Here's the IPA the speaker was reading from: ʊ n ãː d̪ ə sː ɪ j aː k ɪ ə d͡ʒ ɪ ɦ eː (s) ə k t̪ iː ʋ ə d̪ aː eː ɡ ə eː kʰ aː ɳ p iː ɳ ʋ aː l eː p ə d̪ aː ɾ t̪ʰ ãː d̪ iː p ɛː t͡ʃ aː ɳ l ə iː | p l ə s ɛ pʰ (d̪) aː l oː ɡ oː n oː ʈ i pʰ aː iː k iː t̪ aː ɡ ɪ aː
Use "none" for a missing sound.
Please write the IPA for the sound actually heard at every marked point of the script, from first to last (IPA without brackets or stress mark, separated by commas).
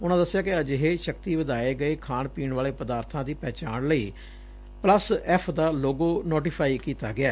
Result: ʃ, d̪